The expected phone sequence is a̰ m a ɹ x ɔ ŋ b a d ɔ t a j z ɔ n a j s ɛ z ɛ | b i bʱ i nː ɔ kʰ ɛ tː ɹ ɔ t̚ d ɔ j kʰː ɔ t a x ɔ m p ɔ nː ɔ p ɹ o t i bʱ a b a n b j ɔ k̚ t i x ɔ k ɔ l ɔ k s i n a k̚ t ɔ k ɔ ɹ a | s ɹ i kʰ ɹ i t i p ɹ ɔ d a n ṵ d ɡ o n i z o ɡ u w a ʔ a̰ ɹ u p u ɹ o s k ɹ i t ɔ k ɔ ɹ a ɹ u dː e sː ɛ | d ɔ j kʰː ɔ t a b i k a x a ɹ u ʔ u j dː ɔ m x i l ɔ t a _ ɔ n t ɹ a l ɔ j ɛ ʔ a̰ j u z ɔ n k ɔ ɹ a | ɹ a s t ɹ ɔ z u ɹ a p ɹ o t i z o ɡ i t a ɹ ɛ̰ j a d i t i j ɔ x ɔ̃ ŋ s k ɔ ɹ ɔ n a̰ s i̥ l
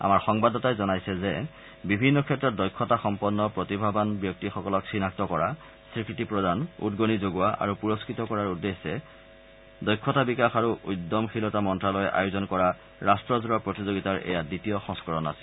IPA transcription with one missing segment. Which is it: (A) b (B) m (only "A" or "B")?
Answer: B